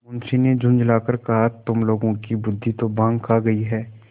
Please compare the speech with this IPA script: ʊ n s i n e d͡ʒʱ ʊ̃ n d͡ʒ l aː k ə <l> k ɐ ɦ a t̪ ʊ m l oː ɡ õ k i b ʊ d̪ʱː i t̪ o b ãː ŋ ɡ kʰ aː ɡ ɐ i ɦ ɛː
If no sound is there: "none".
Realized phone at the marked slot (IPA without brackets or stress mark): ɾ